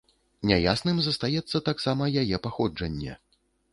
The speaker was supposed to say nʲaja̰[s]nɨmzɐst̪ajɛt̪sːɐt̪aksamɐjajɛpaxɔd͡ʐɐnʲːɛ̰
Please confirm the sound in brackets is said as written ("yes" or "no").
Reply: yes